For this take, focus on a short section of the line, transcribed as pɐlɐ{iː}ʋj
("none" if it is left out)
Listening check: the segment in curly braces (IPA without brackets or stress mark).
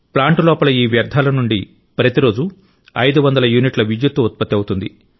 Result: iː